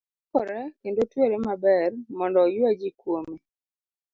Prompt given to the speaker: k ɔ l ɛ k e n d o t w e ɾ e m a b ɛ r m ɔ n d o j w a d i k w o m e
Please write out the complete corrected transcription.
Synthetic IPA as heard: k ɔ ɾ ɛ k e n d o t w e ɾ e m a b ɛ r m ɔ n d ɔ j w a d͡ʒ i k w o m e